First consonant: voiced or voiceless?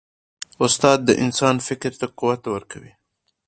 voiceless